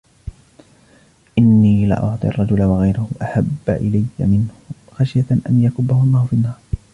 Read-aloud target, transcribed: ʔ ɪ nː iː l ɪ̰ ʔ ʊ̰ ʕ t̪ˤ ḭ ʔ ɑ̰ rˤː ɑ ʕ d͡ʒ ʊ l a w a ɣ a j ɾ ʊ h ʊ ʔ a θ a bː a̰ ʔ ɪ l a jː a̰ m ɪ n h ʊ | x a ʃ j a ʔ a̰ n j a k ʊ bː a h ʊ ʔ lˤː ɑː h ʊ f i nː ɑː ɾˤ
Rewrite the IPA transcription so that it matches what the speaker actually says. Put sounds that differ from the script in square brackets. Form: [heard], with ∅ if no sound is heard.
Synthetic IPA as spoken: ʔ ɪ nː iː l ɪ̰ ʔ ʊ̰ ʕ t̪ˤ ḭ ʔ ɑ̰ rˤː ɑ [∅] d͡ʒ ʊ l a w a ɣ a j ɾ ʊ h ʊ ʔ a [ħ] a bː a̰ ʔ ɪ l a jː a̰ m ɪ n h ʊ | x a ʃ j a ʔ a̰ n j a k ʊ bː a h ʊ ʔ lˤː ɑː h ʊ f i nː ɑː ɾˤ